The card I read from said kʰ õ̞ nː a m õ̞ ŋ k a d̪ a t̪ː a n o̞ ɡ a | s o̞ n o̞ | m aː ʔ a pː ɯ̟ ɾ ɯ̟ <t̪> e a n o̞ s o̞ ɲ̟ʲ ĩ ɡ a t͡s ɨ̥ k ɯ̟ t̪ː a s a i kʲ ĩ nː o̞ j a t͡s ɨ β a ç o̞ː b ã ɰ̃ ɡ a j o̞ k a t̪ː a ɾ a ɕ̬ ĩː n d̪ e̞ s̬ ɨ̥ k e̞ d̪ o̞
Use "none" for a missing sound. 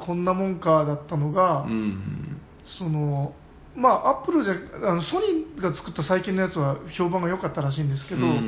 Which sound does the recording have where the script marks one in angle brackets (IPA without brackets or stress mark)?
d̪